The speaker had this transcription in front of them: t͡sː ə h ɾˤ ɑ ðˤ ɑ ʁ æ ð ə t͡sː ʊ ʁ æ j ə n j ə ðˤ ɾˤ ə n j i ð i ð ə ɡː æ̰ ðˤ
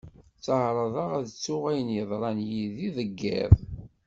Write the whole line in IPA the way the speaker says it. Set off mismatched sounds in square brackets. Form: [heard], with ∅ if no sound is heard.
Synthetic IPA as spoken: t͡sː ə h ɾˤ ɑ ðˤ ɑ ʁ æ ð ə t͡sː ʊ ʁ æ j ə n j ə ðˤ ɾˤ [ɑ] n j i ð i ð ə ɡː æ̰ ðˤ